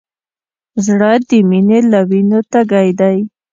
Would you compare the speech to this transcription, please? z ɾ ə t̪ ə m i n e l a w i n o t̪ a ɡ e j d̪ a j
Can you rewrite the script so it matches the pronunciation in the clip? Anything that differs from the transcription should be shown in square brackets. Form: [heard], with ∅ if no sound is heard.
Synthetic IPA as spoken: z [ɽ] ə [d̪] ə m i n e l a w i n o t̪ a ɡ [a] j d̪ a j